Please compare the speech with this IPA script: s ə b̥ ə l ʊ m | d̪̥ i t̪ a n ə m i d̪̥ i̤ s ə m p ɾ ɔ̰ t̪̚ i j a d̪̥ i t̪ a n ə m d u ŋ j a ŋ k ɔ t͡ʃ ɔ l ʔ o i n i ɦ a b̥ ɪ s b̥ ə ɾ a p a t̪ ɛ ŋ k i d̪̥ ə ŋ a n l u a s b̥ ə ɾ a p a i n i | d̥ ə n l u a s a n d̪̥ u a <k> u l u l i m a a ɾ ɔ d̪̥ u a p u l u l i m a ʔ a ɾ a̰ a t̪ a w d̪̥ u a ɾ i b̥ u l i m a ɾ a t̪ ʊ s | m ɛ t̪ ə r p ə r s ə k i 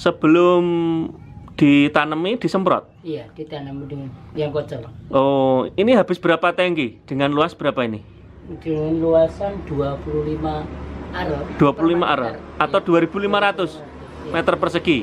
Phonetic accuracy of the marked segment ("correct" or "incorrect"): incorrect